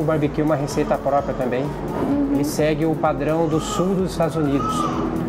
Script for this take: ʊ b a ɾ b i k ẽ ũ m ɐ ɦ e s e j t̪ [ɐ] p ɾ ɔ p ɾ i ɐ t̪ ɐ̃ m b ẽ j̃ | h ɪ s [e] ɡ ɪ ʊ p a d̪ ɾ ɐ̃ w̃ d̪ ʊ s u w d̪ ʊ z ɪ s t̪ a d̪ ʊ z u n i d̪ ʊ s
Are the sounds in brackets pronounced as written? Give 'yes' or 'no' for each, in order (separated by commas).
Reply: yes, no